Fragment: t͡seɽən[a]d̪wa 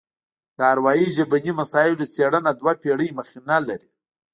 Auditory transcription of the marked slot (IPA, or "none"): a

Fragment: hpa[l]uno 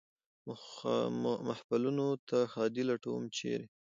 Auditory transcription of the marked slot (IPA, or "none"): l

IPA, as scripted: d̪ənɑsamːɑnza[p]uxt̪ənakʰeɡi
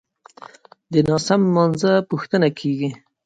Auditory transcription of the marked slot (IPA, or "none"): p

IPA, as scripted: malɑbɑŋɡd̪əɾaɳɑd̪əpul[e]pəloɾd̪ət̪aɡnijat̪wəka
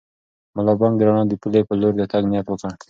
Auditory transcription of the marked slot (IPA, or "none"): e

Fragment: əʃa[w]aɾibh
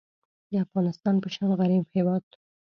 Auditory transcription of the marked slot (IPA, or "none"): ɣ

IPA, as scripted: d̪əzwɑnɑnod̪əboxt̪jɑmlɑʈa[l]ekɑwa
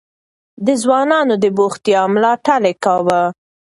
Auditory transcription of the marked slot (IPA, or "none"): l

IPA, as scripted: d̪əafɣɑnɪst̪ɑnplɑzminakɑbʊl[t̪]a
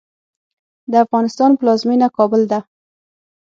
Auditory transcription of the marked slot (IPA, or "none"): d̪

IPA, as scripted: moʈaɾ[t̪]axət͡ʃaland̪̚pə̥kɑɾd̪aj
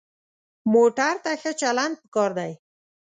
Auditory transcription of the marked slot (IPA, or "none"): t̪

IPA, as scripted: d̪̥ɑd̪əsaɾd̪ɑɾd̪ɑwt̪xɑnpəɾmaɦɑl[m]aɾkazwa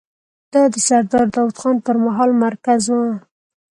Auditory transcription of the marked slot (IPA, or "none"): m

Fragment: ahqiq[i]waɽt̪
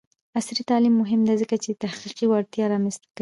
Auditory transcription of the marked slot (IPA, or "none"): i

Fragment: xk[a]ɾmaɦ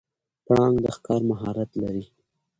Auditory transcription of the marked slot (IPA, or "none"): ɑ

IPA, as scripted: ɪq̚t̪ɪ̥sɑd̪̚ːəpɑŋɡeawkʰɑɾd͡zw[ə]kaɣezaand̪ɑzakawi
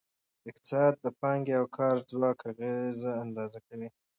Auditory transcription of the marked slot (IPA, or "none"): ɑ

